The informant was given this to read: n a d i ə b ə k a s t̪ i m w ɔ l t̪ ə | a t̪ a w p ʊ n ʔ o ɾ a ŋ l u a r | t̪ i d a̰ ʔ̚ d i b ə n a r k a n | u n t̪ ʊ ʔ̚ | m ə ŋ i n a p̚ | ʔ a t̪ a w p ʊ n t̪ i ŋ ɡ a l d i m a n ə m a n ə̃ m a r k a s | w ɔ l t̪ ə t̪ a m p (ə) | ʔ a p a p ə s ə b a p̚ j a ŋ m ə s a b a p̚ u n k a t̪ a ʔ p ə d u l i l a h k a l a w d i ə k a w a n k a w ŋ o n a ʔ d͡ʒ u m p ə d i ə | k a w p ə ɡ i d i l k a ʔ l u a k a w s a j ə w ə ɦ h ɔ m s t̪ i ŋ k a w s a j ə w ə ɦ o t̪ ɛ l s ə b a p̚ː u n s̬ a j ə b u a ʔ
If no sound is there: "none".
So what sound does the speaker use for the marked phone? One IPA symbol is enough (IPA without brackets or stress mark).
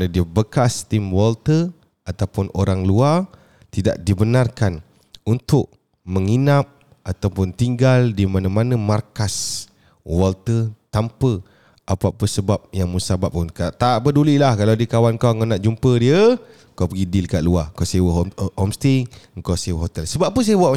ə